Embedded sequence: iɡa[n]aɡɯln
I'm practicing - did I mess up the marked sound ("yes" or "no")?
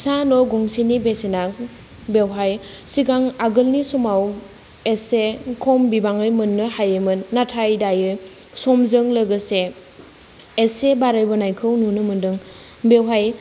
yes